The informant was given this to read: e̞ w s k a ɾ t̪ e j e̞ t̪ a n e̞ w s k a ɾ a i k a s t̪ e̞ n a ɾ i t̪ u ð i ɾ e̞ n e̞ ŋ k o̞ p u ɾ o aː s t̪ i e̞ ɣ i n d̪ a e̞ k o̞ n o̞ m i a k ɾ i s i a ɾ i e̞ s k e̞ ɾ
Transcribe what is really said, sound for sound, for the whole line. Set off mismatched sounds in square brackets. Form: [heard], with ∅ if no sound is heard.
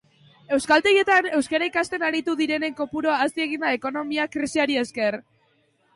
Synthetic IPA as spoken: e̞ w s k a [l] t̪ e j e̞ t̪ a n e̞ w s k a ɾ a i k a s t̪ e̞ n a ɾ i t̪ u ð i ɾ e̞ n e̞ ŋ k o̞ p u ɾ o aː s t̪ i e̞ ɣ i n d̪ a e̞ k o̞ n o̞ m i a k ɾ i s i a ɾ i e̞ s k e̞ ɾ